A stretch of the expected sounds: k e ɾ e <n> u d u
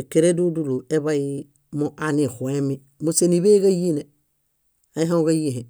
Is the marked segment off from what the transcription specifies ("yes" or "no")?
yes